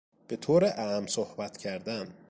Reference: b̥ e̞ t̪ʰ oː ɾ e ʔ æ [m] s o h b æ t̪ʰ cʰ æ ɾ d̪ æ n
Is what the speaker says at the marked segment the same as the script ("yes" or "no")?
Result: yes